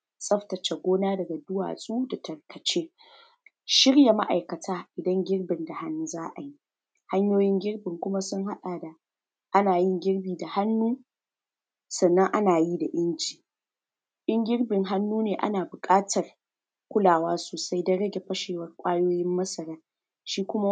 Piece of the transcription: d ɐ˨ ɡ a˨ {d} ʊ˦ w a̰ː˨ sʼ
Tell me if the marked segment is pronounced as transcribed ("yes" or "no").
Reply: yes